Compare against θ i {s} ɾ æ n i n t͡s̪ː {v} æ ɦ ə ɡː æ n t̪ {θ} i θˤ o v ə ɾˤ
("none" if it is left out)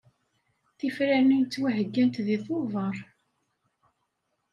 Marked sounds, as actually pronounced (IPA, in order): f, w, ð

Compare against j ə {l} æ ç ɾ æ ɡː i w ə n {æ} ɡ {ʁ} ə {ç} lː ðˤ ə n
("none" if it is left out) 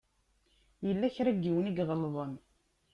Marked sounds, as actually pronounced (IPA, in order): lː, i, ʁ, none

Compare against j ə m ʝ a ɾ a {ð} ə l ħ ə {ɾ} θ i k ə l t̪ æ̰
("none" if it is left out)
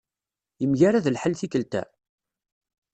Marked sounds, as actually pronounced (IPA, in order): ð, l

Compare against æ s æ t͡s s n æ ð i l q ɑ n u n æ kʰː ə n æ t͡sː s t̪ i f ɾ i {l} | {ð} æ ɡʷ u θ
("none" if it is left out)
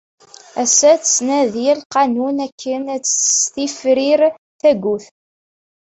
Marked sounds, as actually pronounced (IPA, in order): ɾ, θ

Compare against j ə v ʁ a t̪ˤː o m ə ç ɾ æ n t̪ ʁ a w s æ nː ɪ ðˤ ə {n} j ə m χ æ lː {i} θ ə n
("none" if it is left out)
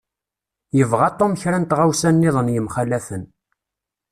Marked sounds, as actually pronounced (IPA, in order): n, æ

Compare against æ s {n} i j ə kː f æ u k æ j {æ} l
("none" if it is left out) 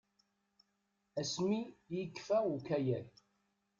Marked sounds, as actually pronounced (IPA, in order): m, æ

